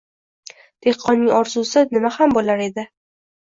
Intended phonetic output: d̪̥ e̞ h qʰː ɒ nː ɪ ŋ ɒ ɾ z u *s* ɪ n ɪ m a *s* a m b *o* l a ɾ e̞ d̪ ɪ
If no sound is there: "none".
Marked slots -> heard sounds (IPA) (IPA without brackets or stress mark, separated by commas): s, h, o